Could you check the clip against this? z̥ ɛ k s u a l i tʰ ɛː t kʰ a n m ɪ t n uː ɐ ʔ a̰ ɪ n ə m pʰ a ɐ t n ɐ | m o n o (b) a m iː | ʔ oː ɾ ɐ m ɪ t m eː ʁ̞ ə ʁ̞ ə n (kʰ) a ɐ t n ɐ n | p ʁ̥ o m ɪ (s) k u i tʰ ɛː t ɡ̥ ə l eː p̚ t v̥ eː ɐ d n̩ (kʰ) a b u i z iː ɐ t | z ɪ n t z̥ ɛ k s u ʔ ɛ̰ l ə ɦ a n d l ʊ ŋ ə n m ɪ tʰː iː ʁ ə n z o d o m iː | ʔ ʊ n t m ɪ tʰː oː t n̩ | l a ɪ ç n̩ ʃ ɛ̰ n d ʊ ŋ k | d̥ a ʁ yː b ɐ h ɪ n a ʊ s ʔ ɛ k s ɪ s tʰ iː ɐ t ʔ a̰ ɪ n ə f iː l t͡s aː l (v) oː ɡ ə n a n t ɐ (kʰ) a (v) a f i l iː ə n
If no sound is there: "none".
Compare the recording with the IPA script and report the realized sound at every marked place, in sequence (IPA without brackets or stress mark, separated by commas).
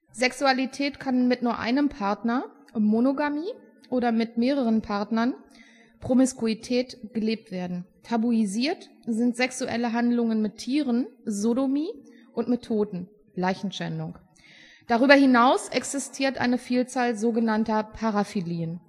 ɡ, pʰ, s, tʰ, z, pʰ, ʁ